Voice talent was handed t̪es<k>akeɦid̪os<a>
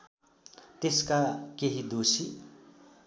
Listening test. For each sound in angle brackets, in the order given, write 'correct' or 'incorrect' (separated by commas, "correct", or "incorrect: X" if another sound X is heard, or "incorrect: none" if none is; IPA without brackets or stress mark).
correct, incorrect: i